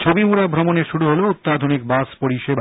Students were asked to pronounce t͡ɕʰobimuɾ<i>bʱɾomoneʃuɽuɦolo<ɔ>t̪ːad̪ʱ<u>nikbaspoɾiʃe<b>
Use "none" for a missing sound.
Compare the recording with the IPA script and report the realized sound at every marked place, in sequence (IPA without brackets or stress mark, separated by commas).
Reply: a, u, o, b